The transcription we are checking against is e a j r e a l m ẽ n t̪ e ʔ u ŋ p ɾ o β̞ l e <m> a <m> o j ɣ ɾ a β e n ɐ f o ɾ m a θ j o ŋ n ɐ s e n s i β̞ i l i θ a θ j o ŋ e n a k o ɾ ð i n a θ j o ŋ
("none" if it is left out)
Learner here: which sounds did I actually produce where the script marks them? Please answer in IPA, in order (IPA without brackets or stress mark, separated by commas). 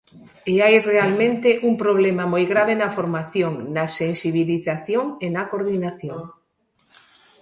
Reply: m, m